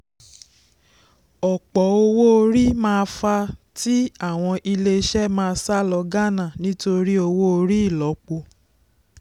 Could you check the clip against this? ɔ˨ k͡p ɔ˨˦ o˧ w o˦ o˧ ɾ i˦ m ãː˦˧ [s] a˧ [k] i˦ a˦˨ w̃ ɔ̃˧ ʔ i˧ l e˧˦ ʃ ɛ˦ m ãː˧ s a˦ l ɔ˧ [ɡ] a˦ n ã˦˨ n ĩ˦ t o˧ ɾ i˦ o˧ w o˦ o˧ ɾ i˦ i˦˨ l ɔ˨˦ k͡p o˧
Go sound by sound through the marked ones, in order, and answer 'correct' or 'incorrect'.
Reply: incorrect, incorrect, correct

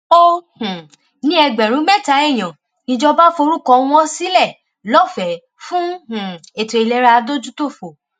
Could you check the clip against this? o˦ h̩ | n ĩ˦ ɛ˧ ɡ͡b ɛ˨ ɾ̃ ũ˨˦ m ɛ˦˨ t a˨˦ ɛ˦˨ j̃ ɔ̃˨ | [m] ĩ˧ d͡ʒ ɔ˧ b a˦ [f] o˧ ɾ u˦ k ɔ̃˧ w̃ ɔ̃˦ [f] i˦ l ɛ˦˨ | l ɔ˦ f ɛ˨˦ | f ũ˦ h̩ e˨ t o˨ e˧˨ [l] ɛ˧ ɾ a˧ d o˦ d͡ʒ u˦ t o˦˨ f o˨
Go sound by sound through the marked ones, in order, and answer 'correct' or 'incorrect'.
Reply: incorrect, correct, incorrect, correct

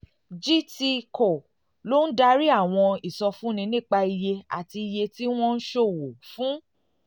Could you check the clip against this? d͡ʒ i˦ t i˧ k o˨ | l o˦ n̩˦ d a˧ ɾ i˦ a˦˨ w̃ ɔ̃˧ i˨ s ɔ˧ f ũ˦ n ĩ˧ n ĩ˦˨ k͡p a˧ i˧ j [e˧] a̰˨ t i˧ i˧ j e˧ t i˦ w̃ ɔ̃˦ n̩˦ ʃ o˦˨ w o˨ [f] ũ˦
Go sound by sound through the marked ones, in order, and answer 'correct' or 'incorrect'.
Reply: correct, correct

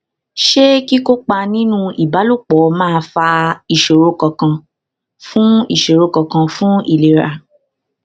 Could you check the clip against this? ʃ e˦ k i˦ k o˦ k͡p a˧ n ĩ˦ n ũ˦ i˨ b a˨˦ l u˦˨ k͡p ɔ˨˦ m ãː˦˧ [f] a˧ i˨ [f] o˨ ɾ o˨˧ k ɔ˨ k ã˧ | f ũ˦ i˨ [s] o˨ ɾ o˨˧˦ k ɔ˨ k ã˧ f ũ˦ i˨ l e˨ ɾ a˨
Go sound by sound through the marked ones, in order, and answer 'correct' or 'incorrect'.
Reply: correct, incorrect, incorrect

